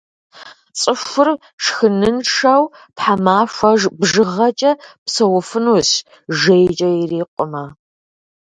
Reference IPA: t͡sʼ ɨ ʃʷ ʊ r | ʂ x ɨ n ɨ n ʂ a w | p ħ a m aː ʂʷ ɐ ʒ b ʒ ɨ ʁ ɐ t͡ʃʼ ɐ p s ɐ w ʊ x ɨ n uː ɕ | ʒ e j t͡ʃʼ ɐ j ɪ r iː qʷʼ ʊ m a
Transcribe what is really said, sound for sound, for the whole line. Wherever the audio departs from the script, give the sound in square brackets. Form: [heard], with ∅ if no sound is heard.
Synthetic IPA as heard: t͡sʼ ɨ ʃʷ ʊ r | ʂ x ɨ n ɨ n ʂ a w | p ħ a m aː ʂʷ ɐ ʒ b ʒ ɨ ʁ ɐ t͡ʃʼ ɐ p s ɐ w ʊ [f] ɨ n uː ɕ | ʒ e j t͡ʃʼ ɐ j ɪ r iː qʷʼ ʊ m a